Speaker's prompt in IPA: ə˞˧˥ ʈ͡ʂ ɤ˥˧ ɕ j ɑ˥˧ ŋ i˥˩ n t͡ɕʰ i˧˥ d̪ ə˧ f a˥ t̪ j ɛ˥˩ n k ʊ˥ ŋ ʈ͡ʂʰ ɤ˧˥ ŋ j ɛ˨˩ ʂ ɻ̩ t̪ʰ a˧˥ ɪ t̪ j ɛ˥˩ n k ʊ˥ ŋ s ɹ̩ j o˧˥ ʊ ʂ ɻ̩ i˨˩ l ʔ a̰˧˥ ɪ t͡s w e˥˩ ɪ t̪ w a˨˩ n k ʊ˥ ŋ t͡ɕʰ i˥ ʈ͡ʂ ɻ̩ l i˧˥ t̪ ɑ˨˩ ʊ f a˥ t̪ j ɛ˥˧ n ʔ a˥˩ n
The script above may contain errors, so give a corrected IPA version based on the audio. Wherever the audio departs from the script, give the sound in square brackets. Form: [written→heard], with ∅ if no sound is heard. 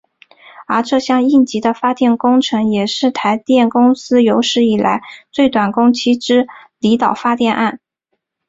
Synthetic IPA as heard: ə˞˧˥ ʈ͡ʂ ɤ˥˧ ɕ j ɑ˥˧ ŋ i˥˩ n [t͡ɕʰ→t͡ɕ] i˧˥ d̪ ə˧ f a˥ t̪ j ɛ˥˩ n k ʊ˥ ŋ ʈ͡ʂʰ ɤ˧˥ ŋ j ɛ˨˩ ʂ ɻ̩ t̪ʰ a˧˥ ɪ t̪ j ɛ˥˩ n k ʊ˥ ŋ s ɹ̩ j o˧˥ ʊ ʂ ɻ̩ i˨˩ l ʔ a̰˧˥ ɪ t͡s w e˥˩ ɪ t̪ w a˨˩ n k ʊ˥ ŋ t͡ɕʰ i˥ ʈ͡ʂ ɻ̩ l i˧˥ t̪ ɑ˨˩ ʊ f a˥ t̪ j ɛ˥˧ n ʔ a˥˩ n